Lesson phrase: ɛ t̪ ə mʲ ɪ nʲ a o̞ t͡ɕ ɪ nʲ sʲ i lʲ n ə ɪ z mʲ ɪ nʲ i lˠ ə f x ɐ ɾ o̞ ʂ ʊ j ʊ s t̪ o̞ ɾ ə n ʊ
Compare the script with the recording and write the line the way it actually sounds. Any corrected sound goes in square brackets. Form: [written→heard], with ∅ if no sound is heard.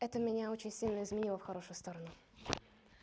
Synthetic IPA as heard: ɛ t̪ ə mʲ ɪ nʲ a o̞ t͡ɕ ɪ nʲ sʲ i lʲ n ə ɪ z mʲ ɪ nʲ i lˠ ə f x ɐ ɾ o̞ ʂ ʊ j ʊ s t̪ o̞ ɾ ə n ʊ